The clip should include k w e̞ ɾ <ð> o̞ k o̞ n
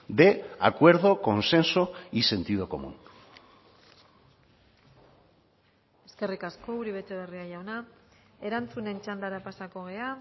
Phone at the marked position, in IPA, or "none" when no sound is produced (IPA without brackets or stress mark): ð